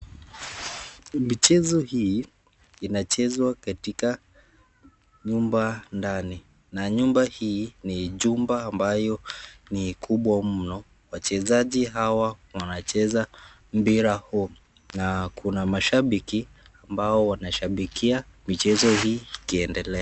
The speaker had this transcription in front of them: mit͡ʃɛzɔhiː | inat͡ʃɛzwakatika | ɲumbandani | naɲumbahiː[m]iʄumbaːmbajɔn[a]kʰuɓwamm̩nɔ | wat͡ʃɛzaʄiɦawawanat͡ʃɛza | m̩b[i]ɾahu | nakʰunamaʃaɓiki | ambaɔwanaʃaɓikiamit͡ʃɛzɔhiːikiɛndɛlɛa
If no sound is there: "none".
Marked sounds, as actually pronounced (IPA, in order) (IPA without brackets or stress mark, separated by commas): n, i, i